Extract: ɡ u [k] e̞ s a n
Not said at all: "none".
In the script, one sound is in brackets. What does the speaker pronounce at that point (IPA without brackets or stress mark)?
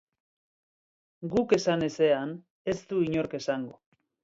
k